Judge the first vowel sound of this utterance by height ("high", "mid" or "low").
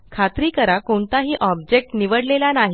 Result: low